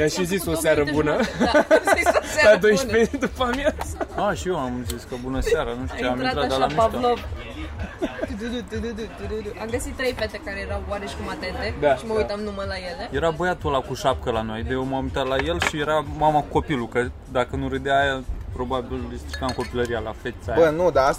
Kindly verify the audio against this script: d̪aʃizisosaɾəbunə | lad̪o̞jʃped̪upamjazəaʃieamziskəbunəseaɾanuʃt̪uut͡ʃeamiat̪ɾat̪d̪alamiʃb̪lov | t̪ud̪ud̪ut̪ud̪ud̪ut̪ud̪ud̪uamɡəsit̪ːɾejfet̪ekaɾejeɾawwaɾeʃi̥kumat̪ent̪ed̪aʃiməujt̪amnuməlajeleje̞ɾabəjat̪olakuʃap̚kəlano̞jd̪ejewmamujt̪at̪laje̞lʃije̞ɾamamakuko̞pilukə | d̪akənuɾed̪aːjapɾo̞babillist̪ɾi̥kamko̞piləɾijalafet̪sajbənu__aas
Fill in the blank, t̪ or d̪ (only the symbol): d̪